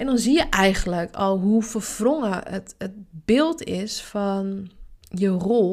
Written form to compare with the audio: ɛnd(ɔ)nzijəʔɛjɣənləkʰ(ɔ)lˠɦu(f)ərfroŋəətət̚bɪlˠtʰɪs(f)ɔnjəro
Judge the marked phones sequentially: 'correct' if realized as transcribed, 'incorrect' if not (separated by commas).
correct, correct, correct, correct